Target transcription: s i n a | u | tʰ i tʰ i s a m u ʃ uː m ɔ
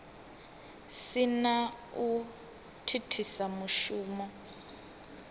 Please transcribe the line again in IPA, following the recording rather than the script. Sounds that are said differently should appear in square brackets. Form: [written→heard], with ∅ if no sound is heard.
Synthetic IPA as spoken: s i n a | u | tʰ i tʰ i s a m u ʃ uː m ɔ